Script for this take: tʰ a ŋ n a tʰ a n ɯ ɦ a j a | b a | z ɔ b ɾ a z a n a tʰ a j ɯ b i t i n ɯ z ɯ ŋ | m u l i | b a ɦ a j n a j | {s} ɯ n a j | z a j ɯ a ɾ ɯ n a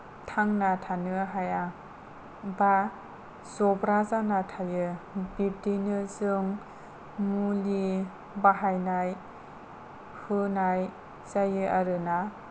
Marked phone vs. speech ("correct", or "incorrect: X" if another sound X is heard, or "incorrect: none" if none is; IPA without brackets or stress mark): incorrect: h